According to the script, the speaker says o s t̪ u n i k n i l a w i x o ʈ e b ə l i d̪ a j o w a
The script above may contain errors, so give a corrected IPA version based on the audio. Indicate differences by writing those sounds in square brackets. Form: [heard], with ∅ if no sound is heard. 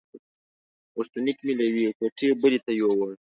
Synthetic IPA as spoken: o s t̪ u n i k [m] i l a w i [k] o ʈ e b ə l i [t̪] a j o w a